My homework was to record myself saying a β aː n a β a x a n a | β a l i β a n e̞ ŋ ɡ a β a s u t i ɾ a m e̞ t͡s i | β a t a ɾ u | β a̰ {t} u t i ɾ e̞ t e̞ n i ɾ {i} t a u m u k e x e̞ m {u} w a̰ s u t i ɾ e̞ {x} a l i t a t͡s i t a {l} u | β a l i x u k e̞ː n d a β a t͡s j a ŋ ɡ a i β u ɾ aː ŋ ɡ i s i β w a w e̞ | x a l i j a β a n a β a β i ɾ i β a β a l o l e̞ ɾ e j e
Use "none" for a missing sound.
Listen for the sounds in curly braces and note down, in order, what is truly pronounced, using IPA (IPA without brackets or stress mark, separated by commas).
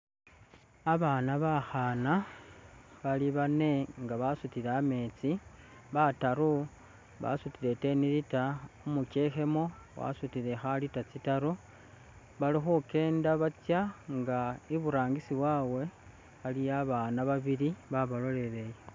s, i, o, x, ɾ